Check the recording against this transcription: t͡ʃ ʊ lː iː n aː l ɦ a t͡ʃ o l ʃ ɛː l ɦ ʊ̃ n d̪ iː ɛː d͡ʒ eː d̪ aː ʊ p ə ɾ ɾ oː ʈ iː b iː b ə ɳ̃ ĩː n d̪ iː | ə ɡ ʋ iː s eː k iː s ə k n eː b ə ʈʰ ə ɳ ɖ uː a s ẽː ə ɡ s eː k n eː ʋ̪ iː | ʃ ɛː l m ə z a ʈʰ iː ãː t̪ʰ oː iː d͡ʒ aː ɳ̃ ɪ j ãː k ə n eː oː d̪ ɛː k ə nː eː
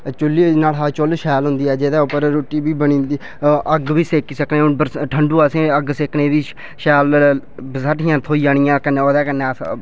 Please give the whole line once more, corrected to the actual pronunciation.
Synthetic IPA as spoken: t͡ʃ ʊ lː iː n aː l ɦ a t͡ʃ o l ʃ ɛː l ɦ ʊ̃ n d̪ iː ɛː d͡ʒ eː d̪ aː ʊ p ə ɾ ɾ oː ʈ iː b iː b ə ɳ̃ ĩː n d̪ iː | ə ɡ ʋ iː s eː k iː s ə k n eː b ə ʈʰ ə ɳ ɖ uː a s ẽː ə ɡ s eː k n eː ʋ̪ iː | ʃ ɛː l b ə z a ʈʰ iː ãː t̪ʰ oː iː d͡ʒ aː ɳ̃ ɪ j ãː k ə n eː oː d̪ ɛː k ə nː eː

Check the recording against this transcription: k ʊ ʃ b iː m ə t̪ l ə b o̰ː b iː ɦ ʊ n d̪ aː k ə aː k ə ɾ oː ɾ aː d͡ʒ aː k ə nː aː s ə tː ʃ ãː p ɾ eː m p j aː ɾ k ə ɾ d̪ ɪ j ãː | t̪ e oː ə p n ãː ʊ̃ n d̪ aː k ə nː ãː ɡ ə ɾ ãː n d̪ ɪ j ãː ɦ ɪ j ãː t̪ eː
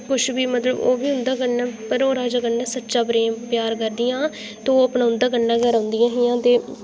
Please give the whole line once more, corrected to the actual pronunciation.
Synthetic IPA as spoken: k ʊ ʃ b iː m ə t̪ l ə b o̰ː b iː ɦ ʊ n d̪ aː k ə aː p ə ɾ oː ɾ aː d͡ʒ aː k ə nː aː s ə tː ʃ aː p ɾ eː m p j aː ɾ k ə ɾ d̪ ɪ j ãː | t̪ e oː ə p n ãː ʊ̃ n d̪ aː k ə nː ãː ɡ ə ɾ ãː n d̪ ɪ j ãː ɦ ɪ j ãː t̪ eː

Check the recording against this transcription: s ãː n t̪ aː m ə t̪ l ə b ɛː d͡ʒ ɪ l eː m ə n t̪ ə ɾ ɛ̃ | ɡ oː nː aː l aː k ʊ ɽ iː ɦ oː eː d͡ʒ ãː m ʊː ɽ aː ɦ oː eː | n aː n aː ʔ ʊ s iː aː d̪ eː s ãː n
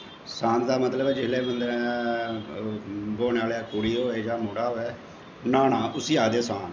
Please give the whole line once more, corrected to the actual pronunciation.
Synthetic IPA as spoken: s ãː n d̪ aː m ə t̪ l ə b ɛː d͡ʒ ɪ l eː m ə n d̪ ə ɾ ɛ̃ | b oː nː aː l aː k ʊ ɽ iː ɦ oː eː d͡ʒ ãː m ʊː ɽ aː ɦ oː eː | n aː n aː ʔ ʊ s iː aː d̪ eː s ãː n

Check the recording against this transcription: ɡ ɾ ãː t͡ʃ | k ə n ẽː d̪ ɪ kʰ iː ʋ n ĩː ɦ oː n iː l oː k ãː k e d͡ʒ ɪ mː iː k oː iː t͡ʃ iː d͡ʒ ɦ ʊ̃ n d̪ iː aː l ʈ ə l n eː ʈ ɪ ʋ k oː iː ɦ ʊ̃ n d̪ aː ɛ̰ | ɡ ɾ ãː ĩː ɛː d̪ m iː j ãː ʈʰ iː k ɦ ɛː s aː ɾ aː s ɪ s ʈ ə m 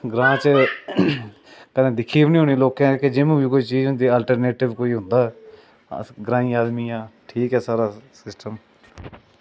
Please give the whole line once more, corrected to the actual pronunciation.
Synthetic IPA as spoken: ɡ ɾ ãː t͡ʃ | k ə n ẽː d̪ ɪ kʰ iː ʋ n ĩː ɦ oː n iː l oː k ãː k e d͡ʒ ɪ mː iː k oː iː t͡ʃ iː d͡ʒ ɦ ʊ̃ n d̪ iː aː l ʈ ə ɾ n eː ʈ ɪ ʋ k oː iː ɦ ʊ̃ n d̪ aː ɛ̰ | ɡ ɾ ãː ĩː aː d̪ m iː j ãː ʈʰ iː k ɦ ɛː s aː ɾ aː s ɪ s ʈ ə m

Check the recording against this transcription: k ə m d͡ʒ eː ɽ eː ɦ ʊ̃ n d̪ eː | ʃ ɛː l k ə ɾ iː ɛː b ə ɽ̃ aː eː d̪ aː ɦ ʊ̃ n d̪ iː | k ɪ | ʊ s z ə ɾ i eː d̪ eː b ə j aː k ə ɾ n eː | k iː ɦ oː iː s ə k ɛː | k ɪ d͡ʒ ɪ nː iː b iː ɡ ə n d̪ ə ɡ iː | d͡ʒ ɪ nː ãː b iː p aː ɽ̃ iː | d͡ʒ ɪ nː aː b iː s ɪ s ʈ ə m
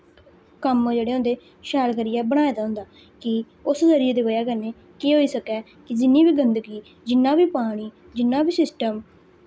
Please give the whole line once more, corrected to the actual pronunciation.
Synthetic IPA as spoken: k ə m d͡ʒ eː ɽ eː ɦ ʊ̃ n d̪ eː | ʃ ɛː l k ə ɾ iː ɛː b ə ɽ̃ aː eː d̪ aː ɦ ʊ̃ n d̪ aː | k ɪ | ʊ s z ə ɾ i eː d̪ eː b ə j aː k ə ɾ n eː | k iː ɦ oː iː s ə k ɛː | k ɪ d͡ʒ ɪ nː iː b iː ɡ ə n d̪ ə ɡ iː | d͡ʒ ɪ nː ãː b iː p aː ɽ̃ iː | d͡ʒ ɪ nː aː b iː s ɪ s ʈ ə m

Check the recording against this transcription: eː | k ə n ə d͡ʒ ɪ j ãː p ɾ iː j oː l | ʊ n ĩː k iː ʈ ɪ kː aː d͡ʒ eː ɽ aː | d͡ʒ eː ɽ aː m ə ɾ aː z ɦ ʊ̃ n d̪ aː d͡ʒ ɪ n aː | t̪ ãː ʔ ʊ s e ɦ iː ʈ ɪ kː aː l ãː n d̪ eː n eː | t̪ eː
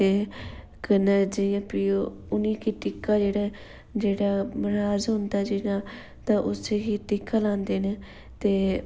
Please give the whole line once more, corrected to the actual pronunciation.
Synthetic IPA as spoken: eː | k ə n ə d͡ʒ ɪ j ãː p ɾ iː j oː | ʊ n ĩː k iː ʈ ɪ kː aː d͡ʒ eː ɽ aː | d͡ʒ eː ɽ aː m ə ɾ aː z ɦ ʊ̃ n d̪ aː d͡ʒ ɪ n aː | t̪ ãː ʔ ʊ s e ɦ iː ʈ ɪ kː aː l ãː n d̪ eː n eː | t̪ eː

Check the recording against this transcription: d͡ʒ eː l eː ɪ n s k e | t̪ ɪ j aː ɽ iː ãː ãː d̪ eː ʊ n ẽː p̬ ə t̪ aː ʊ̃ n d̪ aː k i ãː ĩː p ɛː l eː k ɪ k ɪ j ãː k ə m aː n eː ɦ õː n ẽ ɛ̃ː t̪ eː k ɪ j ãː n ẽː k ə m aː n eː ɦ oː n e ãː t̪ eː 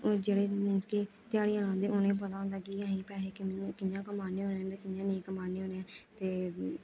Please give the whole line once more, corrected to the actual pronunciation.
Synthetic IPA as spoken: d͡ʒ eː ɽ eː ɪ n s k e | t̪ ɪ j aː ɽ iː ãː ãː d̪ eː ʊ n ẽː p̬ ə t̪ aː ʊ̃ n d̪ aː k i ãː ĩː p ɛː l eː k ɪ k ɪ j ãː k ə m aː n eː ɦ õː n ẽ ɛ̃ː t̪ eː k ɪ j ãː n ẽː k ə m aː n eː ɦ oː n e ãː t̪ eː

